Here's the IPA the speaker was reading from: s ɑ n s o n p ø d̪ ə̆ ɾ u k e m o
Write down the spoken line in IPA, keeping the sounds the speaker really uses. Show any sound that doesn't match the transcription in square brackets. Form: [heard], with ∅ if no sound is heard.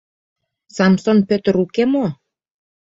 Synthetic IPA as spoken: s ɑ [m] s o n p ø [t̪] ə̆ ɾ u k e m o